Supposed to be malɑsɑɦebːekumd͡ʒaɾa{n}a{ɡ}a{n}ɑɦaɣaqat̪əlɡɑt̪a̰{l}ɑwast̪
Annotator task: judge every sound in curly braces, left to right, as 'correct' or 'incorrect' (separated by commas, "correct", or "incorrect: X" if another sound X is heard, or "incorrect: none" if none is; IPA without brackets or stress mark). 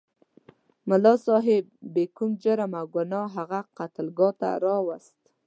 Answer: incorrect: m, correct, correct, incorrect: ɾ